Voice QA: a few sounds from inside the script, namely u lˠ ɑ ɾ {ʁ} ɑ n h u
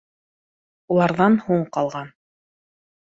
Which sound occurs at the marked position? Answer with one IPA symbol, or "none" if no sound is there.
ð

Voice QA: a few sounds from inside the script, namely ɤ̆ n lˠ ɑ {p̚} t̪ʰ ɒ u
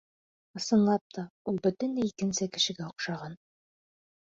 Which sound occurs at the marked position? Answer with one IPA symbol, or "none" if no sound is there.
p̚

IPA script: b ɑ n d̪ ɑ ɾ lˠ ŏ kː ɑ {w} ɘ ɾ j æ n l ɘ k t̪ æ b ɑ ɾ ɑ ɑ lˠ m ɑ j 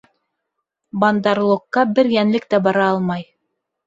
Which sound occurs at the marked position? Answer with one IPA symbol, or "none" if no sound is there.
b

